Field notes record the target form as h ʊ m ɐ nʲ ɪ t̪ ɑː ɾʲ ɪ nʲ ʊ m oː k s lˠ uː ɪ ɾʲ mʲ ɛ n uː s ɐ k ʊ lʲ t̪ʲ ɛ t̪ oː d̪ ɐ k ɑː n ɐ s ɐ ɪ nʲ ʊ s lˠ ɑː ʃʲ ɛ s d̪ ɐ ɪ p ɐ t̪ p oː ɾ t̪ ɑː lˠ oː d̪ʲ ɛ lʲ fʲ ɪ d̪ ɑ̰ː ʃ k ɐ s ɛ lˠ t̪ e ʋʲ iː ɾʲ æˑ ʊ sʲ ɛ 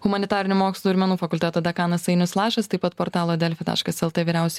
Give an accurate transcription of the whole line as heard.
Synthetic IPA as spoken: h ʊ m ɐ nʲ ɪ t̪ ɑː ɾʲ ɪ nʲ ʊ m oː k s lˠ uː ɪ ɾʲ mʲ ɛ n uː f ɐ k ʊ lʲ t̪ʲ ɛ t̪ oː d̪ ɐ k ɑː n ɐ s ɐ ɪ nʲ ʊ s lˠ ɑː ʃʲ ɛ s t̪ ɐ ɪ p ɐ t̪ p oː ɾ t̪ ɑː lˠ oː d̪ʲ ɛ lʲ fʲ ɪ t̪ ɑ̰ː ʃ k ɐ s ɛ lˠ t̪ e ʋʲ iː ɾʲ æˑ ʊ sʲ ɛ